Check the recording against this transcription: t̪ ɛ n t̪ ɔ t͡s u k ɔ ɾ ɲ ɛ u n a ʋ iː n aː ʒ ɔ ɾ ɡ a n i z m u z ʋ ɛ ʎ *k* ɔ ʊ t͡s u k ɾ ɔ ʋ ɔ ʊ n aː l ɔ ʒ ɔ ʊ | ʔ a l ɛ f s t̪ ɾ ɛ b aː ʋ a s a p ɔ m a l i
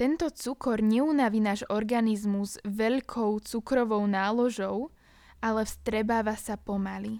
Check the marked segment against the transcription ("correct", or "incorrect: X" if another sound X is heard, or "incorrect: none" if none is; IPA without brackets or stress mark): incorrect: kʰ